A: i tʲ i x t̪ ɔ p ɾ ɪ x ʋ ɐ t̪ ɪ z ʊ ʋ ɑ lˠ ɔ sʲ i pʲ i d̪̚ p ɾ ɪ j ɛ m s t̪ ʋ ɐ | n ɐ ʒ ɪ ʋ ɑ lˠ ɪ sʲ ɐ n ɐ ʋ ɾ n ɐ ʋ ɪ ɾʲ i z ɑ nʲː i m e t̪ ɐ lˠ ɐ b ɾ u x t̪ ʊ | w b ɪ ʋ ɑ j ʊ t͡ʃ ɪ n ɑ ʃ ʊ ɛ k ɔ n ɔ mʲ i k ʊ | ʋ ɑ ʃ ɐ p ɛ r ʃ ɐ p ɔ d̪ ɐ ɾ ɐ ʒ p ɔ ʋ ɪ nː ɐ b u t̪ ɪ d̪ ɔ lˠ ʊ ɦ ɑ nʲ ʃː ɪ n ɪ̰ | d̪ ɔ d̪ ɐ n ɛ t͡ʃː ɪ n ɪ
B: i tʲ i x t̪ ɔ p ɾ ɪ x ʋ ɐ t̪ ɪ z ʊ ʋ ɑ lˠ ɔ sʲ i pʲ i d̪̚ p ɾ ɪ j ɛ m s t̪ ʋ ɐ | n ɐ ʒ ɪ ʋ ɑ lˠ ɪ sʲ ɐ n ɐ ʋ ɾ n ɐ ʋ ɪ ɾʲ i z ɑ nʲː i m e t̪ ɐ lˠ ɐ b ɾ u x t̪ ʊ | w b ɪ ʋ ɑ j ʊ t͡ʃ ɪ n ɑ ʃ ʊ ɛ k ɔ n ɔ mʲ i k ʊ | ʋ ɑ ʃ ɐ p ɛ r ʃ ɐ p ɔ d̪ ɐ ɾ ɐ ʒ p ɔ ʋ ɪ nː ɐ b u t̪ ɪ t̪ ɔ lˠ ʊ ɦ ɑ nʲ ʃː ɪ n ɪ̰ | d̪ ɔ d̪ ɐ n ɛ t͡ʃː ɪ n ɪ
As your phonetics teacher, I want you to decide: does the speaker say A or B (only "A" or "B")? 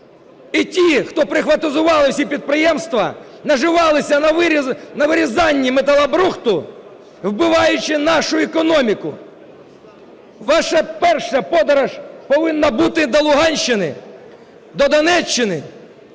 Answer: A